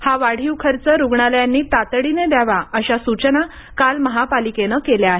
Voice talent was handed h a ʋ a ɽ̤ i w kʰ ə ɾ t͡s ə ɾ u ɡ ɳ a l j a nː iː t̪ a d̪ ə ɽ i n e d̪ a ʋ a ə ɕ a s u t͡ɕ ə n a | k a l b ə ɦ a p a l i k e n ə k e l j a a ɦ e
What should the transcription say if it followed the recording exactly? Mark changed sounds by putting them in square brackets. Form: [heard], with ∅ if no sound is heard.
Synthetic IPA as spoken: h a ʋ a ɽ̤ i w kʰ ə ɾ t͡s ə ɾ u ɡ ɳ a l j a nː iː t̪ a [t̪] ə ɽ i n e d̪ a ʋ a ə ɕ a s u t͡ɕ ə n a | k a l [m] ə ɦ a p a l i k e n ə k e l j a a ɦ e